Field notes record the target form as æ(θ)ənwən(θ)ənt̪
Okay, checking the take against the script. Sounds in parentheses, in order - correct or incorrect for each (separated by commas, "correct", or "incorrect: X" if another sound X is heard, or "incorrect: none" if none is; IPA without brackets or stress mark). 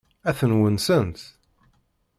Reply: correct, incorrect: s